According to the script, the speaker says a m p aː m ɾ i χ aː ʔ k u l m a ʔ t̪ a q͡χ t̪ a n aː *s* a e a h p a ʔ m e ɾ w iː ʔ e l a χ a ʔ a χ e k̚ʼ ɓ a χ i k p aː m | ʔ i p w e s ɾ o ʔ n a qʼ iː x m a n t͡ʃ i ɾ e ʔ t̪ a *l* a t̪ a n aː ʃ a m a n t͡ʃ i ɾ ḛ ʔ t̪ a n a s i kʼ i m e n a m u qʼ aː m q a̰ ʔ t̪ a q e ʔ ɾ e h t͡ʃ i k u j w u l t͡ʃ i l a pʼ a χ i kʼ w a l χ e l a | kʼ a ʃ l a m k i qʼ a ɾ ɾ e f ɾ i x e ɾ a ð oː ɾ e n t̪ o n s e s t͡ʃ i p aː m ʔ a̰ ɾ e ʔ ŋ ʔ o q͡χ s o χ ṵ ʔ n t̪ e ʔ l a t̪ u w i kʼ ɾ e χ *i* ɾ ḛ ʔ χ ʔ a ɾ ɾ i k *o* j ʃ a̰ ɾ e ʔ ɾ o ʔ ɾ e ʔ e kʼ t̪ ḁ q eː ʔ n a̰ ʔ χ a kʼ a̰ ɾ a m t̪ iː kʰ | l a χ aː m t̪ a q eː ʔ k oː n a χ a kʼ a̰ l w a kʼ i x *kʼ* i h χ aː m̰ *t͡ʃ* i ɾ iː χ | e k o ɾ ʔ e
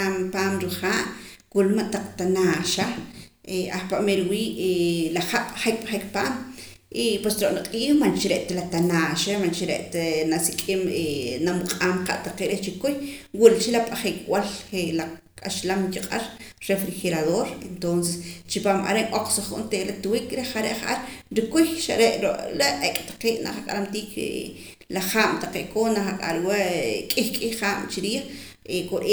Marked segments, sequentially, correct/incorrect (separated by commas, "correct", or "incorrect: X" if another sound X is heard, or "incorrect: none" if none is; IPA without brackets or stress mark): incorrect: ʃ, correct, incorrect: a, incorrect: u, correct, correct